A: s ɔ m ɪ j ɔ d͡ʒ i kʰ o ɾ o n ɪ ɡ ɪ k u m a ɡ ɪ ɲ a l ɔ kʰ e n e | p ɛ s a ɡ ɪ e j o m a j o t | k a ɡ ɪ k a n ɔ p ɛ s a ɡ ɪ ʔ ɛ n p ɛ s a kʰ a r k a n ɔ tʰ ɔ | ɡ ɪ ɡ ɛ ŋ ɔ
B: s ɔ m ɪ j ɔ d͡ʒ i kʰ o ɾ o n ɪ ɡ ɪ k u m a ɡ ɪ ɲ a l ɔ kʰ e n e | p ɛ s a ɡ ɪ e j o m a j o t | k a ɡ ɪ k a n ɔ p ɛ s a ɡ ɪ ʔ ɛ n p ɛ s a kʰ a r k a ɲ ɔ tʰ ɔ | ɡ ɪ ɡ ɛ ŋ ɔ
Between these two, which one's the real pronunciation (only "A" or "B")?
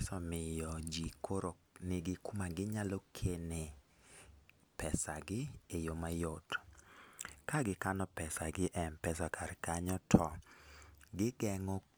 B